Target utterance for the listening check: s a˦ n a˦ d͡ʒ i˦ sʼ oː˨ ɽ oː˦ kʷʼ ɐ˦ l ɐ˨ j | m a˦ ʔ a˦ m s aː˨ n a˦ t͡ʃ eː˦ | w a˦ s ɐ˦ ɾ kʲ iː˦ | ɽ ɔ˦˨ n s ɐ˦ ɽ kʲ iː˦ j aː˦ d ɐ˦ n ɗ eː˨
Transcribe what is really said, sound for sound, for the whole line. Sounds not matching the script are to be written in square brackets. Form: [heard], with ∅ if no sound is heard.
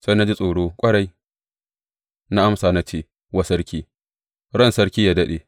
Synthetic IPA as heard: s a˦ n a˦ d͡ʒ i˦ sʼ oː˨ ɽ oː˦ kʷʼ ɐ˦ [ɽ] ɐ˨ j | [n] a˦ ʔ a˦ m s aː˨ n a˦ t͡ʃ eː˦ | w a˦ s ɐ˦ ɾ kʲ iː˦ | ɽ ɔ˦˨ n s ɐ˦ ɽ kʲ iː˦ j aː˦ d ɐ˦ [∅] ɗ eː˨